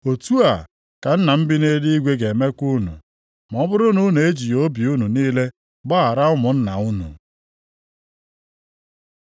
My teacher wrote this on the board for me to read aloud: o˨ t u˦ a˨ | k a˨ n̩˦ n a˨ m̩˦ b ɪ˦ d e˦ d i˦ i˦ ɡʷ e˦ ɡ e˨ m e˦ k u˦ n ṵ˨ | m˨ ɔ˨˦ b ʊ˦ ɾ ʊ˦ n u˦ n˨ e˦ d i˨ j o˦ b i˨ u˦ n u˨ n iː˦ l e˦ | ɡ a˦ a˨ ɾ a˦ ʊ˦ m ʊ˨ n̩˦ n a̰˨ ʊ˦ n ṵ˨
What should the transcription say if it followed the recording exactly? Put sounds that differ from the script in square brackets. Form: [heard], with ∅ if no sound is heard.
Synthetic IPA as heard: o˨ t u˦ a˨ | k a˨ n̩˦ n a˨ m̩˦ b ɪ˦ [n] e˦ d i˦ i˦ ɡʷ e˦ ɡ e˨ m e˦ k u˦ n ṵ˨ | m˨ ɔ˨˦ b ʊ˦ ɾ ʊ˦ n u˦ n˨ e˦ [d͡ʒ] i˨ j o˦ b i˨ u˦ n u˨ n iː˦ l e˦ | [ɡ͡b] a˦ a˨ ɾ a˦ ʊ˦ m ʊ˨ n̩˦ n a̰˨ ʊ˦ n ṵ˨